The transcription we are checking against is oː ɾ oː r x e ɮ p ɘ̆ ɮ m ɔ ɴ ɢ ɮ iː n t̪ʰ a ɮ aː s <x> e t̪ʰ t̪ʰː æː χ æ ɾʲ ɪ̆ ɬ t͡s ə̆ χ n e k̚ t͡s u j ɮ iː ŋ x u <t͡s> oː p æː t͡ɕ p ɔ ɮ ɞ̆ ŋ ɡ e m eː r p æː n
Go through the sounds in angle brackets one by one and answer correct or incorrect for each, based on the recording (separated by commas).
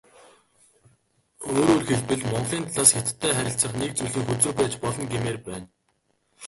correct, correct